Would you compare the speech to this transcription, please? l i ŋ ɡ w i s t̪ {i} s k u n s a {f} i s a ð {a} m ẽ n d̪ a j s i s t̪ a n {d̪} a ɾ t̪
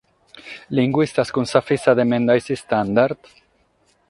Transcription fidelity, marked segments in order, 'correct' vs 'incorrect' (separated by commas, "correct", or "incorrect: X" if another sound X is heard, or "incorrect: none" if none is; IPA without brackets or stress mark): incorrect: a, correct, incorrect: e, correct